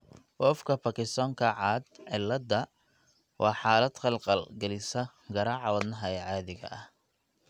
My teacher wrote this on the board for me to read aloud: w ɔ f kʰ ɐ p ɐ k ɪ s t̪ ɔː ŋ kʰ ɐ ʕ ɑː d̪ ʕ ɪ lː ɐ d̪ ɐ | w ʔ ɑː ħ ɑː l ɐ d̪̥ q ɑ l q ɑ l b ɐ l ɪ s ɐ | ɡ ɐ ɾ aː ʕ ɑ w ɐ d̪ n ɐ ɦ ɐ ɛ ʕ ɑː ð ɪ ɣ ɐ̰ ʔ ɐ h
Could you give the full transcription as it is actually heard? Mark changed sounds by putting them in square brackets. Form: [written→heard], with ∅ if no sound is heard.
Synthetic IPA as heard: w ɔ f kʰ ɐ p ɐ k ɪ s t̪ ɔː ŋ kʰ ɐ ʕ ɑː d̪ ʕ ɪ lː ɐ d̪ ɐ | w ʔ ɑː ħ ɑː l ɐ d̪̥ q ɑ l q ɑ l [b→ɡ] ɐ l ɪ s ɐ | ɡ ɐ ɾ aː ʕ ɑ w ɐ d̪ n ɐ ɦ ɐ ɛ ʕ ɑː ð ɪ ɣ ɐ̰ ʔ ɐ h